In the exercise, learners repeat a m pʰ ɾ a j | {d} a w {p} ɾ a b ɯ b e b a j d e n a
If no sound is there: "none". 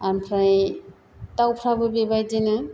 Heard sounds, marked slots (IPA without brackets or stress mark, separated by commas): t, pʰ